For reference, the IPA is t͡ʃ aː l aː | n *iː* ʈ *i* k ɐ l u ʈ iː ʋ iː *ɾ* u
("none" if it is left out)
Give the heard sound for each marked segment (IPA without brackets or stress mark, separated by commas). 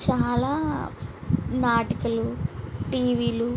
aː, i, l